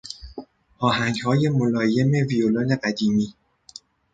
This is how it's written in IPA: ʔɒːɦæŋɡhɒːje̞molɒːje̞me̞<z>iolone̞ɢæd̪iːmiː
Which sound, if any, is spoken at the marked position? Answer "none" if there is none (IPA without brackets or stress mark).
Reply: v